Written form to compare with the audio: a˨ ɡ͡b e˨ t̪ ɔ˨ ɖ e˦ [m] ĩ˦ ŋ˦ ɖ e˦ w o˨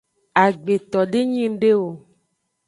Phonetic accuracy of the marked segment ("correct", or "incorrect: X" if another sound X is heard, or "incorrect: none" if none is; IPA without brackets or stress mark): incorrect: ɲ